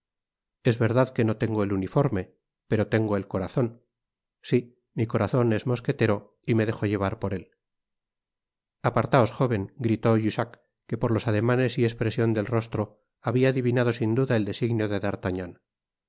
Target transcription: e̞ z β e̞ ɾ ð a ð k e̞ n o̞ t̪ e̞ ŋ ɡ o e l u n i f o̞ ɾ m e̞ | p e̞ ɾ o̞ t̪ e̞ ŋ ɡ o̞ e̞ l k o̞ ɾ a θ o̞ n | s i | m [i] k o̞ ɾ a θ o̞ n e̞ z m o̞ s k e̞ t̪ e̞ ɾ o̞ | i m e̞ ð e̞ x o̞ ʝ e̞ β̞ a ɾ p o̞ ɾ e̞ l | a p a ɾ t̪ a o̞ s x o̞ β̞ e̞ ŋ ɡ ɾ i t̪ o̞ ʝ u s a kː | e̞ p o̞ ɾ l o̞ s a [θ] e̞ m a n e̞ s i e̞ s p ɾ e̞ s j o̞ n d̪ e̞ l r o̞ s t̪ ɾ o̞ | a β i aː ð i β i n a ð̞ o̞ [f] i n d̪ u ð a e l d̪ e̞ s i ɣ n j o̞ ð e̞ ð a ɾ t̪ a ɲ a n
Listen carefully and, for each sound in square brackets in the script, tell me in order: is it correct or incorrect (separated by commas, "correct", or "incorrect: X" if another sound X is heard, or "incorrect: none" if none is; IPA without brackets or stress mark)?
correct, incorrect: ð, incorrect: s